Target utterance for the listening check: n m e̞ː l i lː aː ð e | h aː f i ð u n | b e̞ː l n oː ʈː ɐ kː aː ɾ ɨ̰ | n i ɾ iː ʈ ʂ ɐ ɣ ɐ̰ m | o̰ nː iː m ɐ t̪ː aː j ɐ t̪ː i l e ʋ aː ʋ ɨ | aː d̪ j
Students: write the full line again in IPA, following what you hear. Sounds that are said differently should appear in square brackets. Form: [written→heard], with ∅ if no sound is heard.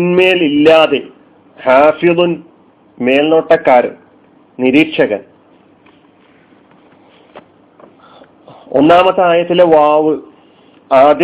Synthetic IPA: n m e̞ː l i lː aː ð e | h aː f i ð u n | [b→m] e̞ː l n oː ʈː ɐ kː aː ɾ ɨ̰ | n i ɾ iː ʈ ʂ ɐ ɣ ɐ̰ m | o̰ nː [iː→aː] m ɐ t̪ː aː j ɐ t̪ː i l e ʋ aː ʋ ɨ | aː d̪ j